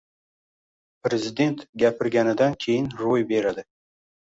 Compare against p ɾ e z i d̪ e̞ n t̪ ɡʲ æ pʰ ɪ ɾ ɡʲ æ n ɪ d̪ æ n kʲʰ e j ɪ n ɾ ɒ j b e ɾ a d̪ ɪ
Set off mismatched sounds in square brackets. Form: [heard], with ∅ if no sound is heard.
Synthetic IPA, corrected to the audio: p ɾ e z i d̪ e̞ n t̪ ɡʲ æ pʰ ɪ ɾ ɡʲ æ n ɪ d̪ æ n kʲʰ e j ɪ n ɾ [o] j b e ɾ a d̪ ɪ